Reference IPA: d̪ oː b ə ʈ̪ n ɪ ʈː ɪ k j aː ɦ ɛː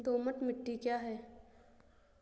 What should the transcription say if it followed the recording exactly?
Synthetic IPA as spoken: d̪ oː m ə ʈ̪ m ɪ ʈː i k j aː ɦ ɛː